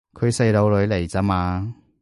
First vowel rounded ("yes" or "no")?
yes